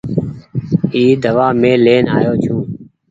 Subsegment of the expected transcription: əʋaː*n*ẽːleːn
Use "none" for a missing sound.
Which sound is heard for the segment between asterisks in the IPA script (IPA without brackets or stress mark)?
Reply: m